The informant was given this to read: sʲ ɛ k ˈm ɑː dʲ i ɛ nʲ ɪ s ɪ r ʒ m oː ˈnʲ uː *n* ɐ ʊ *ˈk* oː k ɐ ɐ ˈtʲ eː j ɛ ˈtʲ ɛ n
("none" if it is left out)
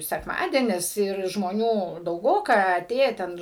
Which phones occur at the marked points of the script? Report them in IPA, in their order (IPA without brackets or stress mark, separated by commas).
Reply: d, ɡ